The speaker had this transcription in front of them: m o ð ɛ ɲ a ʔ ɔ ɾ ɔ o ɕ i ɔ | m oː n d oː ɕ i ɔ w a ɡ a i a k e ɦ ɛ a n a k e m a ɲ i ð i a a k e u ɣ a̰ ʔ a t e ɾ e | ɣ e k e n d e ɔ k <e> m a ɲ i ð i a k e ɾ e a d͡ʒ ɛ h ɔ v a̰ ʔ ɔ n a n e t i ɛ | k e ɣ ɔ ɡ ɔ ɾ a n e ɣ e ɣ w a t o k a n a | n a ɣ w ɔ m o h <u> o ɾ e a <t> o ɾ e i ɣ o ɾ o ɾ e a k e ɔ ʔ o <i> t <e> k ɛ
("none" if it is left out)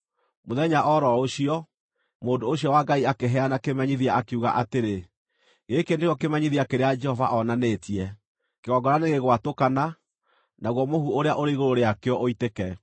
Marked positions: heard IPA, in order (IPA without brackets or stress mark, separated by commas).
e, u, ʔ, i, e